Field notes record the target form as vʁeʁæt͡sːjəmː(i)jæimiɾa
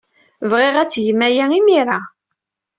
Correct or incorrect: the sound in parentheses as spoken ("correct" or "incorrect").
incorrect